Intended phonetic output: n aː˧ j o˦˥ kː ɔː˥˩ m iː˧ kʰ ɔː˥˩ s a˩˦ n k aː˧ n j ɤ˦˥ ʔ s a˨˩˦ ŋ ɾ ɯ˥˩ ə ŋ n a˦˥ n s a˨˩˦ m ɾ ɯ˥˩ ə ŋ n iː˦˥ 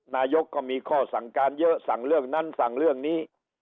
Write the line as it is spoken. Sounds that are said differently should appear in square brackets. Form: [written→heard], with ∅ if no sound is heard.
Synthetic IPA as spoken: n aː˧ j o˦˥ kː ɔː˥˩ m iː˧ kʰ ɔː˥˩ s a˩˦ [n→ŋ] k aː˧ n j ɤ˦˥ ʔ s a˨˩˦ ŋ ɾ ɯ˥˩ ə ŋ n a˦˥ n s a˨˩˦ [m→ŋ] ɾ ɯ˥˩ ə ŋ n iː˦˥